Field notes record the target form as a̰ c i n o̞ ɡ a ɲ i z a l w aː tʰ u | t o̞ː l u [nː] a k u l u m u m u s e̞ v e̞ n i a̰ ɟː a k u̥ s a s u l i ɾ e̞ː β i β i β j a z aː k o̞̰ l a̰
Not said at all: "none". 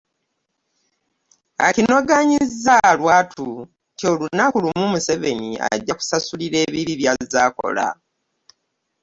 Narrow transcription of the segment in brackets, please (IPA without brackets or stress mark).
n